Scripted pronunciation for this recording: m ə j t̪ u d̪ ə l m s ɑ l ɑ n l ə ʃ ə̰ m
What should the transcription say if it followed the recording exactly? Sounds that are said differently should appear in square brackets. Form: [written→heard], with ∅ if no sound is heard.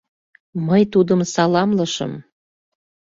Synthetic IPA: m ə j t̪ u d̪ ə [l→∅] m s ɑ l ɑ [n→m] l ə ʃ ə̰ m